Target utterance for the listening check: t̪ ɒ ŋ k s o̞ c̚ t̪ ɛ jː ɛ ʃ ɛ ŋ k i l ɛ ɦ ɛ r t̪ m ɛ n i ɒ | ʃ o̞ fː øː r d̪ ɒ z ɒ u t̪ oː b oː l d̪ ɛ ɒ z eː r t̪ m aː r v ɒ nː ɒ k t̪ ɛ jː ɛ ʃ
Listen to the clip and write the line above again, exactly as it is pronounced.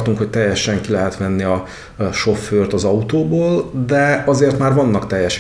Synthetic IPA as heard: t̪ u ŋ k h o̞ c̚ t̪ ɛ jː ɛ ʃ ɛ ŋ k i l ɛ ɦ ɛ t̪ m ɛ nː i ɒ | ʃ o̞ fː øː r t̪ ɒ z ɒ u t̪ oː b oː l d̪ ɛ ɒ z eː r t̪ m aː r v ɒ nː ɒ k t̪ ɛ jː ɛ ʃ